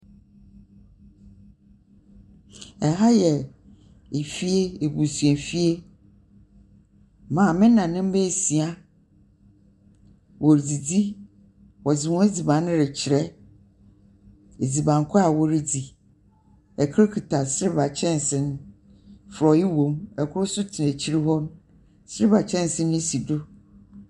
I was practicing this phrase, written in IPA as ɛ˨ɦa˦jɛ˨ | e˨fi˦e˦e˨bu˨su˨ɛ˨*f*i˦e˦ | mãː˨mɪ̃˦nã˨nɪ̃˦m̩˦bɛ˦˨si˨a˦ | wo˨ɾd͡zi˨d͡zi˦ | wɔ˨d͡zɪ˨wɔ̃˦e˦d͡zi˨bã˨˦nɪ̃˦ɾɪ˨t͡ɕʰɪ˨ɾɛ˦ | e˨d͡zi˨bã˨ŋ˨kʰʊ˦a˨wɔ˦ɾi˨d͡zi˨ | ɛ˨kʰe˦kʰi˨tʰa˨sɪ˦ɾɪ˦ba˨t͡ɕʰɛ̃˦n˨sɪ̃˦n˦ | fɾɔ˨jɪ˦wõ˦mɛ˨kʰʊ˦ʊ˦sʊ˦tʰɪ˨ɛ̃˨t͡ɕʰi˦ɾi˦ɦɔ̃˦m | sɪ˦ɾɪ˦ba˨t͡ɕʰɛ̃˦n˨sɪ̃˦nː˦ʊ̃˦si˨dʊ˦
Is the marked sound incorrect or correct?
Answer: correct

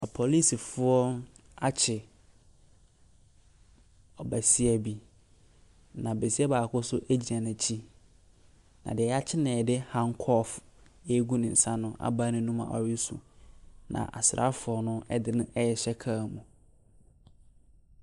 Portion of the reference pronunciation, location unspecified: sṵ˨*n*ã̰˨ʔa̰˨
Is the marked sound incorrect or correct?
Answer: correct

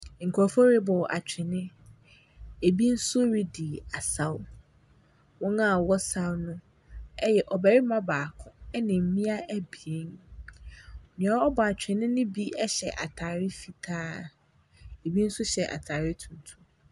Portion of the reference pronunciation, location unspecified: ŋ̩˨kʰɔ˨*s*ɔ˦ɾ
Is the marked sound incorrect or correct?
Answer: incorrect: f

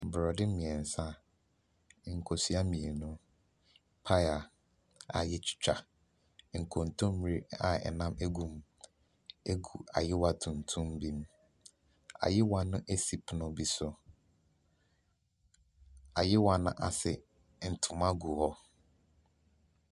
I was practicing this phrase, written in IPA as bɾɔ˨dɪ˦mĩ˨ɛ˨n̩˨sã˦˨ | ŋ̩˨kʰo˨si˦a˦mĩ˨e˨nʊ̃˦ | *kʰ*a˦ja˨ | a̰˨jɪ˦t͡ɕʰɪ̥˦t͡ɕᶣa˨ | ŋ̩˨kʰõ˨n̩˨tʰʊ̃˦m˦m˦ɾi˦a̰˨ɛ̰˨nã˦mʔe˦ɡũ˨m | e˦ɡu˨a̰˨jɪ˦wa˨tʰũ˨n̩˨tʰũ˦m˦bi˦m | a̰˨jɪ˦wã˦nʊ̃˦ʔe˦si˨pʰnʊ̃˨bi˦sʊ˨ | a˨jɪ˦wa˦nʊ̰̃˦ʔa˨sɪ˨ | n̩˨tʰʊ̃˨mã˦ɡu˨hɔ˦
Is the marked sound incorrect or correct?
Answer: incorrect: pʰ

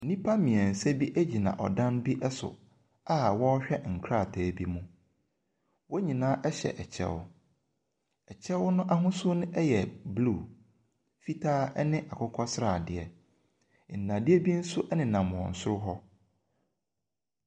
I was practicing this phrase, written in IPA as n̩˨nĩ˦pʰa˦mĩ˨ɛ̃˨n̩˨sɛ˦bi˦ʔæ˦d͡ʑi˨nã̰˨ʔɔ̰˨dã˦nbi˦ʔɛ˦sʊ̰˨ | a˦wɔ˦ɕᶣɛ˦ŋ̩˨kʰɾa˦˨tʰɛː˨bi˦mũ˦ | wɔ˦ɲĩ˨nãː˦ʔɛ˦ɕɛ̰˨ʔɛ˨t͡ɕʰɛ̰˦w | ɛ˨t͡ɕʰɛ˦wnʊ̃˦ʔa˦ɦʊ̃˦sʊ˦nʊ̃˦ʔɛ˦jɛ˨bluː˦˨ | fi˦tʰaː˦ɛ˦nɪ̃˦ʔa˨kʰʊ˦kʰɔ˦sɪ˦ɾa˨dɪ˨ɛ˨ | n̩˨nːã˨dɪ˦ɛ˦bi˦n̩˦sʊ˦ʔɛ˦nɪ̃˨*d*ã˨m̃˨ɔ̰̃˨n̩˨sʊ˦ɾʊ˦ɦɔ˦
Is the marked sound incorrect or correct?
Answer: incorrect: n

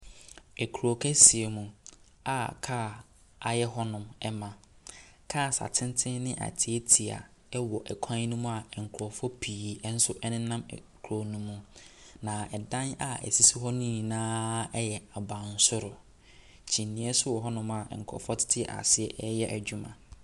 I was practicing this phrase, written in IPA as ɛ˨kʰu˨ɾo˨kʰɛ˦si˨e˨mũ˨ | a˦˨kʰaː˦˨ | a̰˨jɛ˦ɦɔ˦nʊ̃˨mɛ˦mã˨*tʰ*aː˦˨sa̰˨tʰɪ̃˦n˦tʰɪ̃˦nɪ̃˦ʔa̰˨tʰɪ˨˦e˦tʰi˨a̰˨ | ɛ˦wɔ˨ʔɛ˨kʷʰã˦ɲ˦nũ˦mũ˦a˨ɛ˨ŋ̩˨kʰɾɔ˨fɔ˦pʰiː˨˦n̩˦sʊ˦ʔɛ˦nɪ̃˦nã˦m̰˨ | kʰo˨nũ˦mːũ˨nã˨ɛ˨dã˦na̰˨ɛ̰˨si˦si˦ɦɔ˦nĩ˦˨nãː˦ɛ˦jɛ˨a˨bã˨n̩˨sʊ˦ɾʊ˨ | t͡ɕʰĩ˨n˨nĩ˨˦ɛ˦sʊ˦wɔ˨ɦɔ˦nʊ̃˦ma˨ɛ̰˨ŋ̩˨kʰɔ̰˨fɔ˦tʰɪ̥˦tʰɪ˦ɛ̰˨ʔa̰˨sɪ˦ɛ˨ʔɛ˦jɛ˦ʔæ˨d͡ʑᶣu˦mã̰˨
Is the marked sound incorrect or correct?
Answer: incorrect: kʰ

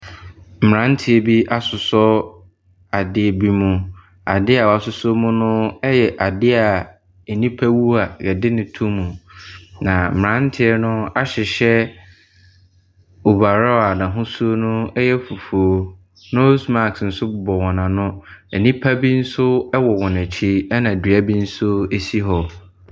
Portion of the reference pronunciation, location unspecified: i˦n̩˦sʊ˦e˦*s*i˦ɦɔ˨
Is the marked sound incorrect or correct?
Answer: correct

